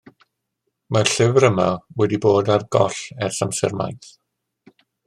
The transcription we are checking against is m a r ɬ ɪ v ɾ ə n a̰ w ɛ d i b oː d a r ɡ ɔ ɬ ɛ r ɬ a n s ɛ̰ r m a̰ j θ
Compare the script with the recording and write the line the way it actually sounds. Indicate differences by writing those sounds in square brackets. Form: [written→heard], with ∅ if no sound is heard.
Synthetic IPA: m a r ɬ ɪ v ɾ ə [n→m] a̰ w ɛ d i b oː d a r ɡ ɔ ɬ ɛ r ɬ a [n→m] s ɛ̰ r m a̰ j θ